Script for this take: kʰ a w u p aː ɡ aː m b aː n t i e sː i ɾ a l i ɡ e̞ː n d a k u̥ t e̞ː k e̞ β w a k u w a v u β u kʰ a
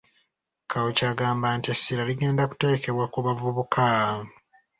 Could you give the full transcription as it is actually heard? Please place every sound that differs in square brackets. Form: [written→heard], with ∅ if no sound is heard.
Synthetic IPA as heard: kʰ a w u [p→c] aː ɡ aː m b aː n t i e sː i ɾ a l i ɡ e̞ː n d a k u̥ t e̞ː k e̞ β w a k u [w→β] a v u β u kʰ a